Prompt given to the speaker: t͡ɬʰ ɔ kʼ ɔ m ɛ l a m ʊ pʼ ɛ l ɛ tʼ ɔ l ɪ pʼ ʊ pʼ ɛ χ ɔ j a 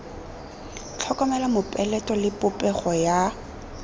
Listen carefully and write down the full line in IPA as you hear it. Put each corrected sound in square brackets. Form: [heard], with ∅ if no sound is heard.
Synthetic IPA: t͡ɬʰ ɔ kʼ ɔ m ɛ l a m ʊ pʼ ɛ l ɛ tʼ ɔ l ɪ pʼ ʊ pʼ ɛ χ ɔ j a